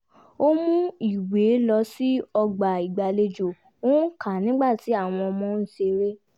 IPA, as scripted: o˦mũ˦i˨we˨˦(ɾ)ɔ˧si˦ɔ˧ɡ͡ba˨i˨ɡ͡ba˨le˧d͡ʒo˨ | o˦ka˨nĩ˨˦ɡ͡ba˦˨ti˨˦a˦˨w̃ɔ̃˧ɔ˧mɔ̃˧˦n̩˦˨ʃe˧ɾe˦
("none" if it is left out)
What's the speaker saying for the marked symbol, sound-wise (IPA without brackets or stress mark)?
l